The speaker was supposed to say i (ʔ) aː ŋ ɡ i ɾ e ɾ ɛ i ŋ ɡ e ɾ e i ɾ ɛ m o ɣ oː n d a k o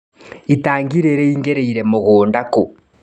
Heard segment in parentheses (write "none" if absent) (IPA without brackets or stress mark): t